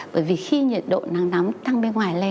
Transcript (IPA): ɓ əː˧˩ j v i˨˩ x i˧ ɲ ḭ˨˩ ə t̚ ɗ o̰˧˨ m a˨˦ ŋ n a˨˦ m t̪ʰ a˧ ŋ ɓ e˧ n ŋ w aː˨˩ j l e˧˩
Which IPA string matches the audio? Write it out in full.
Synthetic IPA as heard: ɓ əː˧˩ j v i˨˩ x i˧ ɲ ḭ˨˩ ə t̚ ɗ o̰˧˨ n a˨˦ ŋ n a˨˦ m t̪ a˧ ŋ ɓ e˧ n ŋ w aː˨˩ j l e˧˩